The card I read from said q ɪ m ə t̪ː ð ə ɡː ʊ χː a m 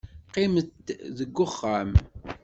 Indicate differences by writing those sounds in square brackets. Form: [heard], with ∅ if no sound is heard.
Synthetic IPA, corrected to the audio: q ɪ m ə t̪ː ð ə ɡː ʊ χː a m